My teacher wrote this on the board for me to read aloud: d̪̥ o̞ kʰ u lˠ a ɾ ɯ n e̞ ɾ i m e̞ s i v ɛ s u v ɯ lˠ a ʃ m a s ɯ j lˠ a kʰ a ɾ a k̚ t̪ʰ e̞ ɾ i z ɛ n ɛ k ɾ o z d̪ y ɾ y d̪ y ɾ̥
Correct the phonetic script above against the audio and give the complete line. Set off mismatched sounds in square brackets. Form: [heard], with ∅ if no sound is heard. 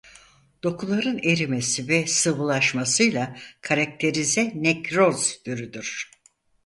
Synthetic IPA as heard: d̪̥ o̞ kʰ u lˠ a ɾ ɯ n e̞ ɾ i m e̞ s i v ɛ s [ɯ] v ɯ lˠ a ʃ m a s ɯ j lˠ a kʰ a ɾ a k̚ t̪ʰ e̞ ɾ i z ɛ n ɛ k ɾ o z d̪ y ɾ y d̪ y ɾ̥